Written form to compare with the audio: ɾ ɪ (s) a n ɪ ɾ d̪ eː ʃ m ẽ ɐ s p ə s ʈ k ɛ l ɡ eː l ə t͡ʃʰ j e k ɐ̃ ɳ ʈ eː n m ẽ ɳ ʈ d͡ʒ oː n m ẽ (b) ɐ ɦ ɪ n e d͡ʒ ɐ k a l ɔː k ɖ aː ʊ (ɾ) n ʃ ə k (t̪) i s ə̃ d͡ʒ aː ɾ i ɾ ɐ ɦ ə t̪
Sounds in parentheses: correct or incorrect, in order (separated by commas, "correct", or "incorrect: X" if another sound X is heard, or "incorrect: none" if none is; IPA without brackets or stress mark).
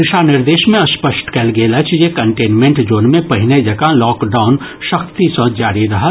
incorrect: ʃ, incorrect: p, incorrect: none, correct